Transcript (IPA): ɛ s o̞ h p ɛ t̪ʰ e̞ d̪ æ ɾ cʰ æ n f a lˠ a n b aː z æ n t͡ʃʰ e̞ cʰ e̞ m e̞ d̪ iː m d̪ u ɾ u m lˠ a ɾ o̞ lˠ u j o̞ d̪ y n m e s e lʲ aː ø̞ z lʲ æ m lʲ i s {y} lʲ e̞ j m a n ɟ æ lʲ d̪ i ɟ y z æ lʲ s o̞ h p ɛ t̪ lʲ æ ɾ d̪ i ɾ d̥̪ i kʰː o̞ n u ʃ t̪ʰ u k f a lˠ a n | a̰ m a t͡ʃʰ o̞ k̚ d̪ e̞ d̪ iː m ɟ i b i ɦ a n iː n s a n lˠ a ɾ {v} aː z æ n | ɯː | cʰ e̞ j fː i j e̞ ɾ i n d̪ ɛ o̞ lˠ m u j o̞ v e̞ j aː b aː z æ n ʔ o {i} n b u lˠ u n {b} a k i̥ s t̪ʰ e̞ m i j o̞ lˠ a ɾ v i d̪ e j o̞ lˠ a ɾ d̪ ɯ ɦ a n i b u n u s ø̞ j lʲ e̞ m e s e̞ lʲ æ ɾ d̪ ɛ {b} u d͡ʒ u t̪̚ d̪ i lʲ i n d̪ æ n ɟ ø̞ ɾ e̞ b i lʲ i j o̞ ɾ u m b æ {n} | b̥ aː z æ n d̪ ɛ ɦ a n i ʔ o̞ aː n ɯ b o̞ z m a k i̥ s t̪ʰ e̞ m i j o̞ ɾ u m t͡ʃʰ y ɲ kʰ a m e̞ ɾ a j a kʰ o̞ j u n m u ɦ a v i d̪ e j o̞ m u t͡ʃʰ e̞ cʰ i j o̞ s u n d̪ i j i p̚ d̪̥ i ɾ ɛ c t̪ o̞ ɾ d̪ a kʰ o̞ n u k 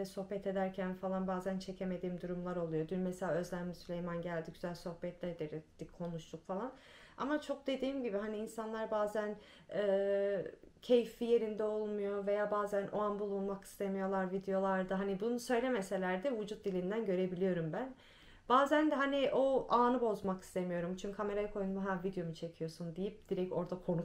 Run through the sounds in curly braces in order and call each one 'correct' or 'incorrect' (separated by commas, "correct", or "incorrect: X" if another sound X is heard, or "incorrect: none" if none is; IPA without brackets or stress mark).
correct, incorrect: b, incorrect: a, incorrect: m, incorrect: v, correct